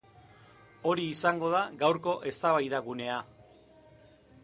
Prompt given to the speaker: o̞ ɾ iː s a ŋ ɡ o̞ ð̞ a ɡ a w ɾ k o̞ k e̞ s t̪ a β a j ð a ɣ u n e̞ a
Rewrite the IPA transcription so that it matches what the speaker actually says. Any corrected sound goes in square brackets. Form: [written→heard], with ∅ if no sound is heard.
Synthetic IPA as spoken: o̞ ɾ iː s a ŋ ɡ o̞ ð̞ a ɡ a w ɾ k o̞ [k→ʔ] e̞ s t̪ a β a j ð a ɣ u n e̞ a